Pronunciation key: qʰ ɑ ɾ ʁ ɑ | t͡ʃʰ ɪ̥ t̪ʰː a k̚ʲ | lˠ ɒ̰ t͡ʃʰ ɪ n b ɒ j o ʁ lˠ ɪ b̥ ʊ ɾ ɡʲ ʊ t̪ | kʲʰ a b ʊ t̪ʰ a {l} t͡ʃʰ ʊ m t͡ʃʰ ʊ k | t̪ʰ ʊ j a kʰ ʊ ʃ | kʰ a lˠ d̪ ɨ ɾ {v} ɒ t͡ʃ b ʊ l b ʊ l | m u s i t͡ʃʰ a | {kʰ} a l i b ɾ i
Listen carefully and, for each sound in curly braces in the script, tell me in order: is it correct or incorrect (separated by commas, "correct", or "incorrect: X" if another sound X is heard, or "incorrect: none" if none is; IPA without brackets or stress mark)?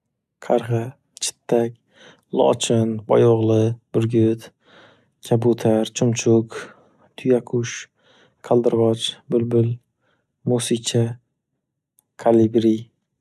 incorrect: ɾ, incorrect: ʁ, correct